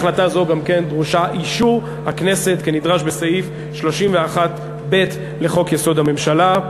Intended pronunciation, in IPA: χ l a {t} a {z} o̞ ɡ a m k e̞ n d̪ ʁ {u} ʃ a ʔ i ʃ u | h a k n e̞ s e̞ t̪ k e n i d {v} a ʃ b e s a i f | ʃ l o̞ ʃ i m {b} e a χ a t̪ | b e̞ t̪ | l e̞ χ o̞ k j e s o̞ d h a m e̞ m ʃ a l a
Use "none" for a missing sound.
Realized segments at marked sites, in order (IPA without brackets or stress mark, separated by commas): t, z, u, ʁ, v